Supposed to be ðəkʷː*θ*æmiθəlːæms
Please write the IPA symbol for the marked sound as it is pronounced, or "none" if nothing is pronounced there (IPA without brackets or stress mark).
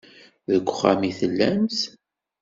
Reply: χ